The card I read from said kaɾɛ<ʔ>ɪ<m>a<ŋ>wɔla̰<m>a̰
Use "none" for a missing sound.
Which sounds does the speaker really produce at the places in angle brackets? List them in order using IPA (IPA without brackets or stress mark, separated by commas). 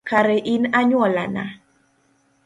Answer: ʔ, n, ɲ, n